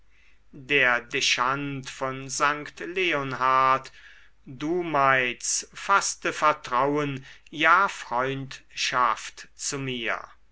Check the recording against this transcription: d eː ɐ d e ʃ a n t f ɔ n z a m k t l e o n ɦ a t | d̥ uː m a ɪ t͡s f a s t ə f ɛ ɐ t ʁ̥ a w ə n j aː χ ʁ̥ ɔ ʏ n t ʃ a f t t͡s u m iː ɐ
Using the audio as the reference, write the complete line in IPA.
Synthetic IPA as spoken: d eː ɐ d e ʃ a n t f ɔ n z a ŋ k t l e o n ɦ a t | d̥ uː m a ɪ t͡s f a s t ə f ɛ ɐ t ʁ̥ a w ə n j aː f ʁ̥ ɔ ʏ n t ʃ a f t t͡s u m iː ɐ

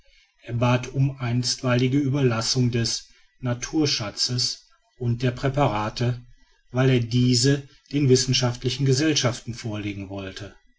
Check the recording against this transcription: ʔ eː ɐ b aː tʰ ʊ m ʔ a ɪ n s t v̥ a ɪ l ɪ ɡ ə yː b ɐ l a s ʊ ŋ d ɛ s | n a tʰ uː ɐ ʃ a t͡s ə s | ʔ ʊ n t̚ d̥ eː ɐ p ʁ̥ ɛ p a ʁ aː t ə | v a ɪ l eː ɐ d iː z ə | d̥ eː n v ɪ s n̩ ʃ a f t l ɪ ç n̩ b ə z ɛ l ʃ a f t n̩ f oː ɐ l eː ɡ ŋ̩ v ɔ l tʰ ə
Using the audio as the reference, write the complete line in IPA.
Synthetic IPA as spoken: ʔ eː ɐ b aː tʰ ʊ m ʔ a ɪ n s t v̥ a ɪ l ɪ ɡ ə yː b ɐ l a s ʊ ŋ d ɛ s | n a tʰ uː ɐ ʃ a t͡s ə s | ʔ ʊ n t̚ d̥ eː ɐ p ʁ̥ ɛ p a ʁ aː t ə | v a ɪ l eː ɐ d iː z ə | d̥ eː n v ɪ s n̩ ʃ a f t l ɪ ç n̩ ɡ ə z ɛ l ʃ a f t n̩ f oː ɐ l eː ɡ ŋ̩ v ɔ l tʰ ə

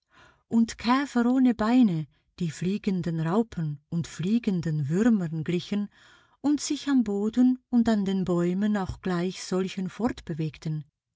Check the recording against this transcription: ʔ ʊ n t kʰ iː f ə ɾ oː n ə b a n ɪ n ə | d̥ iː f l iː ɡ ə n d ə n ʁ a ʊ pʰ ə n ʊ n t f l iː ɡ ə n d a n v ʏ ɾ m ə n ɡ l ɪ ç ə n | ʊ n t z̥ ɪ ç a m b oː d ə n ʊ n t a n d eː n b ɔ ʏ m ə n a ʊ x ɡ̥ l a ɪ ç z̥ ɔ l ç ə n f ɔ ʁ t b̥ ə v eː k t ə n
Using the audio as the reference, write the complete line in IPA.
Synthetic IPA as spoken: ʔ ʊ n t kʰ ɛː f ə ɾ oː n ə b a ɪ n ə | d̥ iː f l iː ɡ ə n d ə n ʁ a ʊ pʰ ə n ʊ n t f l iː ɡ ə n d ə n v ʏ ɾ m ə n ɡ l ɪ ç ə n | ʊ n t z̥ ɪ ç a m b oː d ə n ʊ n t a n d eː n b ɔ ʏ m ə n a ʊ x ɡ̥ l a ɪ ç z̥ ɔ l ç ə n f ɔ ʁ t b̥ ə v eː k t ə n

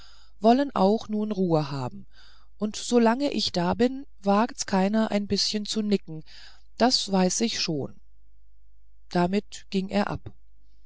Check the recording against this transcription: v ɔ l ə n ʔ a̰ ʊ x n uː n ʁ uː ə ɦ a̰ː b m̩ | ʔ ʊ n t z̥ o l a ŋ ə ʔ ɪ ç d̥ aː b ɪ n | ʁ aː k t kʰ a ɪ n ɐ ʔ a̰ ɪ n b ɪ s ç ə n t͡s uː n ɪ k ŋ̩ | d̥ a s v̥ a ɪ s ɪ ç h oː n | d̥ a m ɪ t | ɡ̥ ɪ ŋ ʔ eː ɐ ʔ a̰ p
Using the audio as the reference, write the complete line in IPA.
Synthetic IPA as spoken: v ɔ l ə n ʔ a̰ ʊ x n uː n ʁ uː ə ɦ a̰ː b m̩ | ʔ ʊ n t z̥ o l a ŋ ə ʔ ɪ ç d̥ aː b ɪ n | v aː k t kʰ a ɪ n ɐ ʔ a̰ ɪ n b ɪ s ç ə n t͡s u n ɪ k ŋ̩ | d̥ a s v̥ a ɪ s ɪ ç ʃ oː n | d̥ a m ɪ t | ɡ̥ ɪ ŋ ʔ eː ɐ ʔ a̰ p

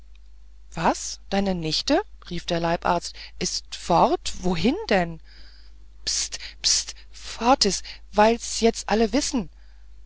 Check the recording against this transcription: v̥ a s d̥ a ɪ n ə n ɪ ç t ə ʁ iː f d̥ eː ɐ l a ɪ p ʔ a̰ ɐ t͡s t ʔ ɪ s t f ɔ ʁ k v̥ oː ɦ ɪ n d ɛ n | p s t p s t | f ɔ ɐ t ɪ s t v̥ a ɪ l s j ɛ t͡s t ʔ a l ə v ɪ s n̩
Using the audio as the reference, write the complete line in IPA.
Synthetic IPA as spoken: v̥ a s d̥ a ɪ n ə n ɪ ç t ə ʁ iː f d̥ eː ɐ l a ɪ p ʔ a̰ ɐ t͡s t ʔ ɪ s t f ɔ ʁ t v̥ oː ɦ ɪ n d ɛ n | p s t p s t | f ɔ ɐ t ɪ s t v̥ a ɪ l s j ɛ t͡s t ʔ a l ə v ɪ s n̩

